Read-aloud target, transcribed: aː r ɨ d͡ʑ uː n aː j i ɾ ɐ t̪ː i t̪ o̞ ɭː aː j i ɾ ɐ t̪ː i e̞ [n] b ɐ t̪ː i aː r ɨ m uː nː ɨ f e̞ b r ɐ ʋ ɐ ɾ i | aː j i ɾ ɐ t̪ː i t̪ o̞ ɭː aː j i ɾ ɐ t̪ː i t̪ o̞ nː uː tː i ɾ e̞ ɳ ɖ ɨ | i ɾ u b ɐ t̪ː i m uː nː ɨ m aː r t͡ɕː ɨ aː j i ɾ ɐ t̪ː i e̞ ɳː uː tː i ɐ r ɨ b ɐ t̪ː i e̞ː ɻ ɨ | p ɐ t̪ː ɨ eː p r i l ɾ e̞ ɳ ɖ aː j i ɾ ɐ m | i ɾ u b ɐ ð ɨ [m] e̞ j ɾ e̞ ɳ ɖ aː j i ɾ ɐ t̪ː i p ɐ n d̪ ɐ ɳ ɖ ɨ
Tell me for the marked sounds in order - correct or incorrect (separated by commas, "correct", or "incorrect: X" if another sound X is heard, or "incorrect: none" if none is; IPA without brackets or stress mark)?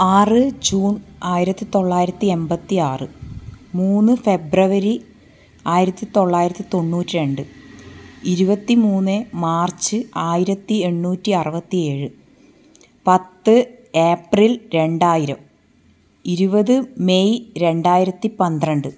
incorrect: m, correct